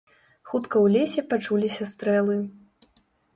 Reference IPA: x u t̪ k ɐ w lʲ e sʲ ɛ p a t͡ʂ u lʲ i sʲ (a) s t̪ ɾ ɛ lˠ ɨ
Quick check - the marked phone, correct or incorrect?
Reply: incorrect